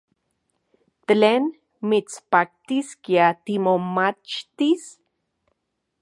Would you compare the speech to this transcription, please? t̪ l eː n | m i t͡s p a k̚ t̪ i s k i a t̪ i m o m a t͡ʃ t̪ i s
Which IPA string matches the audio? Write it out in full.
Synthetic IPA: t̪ l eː n | m i t͡s p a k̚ t̪ i s k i a t̪ i m o m a t͡ʃ t̪ i s